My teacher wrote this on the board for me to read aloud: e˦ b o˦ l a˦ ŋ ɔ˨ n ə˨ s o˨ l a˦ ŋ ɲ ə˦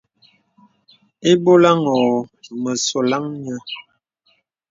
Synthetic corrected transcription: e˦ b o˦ l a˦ ŋ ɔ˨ m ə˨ s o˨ l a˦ ŋ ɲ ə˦